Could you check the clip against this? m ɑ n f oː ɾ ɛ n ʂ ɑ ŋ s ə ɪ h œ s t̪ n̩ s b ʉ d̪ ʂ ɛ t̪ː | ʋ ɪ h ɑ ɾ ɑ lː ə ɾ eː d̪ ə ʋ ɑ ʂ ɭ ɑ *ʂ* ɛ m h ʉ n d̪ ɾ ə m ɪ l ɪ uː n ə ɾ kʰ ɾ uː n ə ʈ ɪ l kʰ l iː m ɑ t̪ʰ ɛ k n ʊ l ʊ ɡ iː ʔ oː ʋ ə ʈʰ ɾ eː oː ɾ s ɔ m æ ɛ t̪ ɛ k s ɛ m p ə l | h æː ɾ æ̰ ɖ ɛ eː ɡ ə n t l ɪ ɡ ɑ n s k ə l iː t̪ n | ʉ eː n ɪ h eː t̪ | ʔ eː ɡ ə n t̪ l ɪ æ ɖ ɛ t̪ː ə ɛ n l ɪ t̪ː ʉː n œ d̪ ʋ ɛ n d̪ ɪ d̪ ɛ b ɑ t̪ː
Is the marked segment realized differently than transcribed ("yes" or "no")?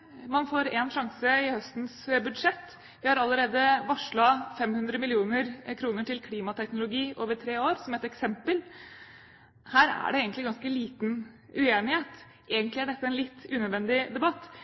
yes